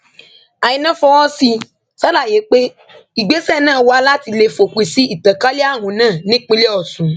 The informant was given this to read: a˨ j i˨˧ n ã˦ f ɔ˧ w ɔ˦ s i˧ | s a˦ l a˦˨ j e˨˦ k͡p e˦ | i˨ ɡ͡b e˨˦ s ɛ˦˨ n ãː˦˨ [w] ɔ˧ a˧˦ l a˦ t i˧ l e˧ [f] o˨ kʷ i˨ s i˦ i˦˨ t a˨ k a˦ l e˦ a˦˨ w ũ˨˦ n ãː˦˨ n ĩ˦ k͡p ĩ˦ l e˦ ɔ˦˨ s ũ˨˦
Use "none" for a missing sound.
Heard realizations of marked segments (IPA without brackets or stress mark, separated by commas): w, f